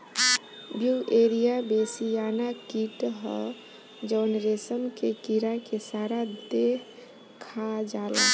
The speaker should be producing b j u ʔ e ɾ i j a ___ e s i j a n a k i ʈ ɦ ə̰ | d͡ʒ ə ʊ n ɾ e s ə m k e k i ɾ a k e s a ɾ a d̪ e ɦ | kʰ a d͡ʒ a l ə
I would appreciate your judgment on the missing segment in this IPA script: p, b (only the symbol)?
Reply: b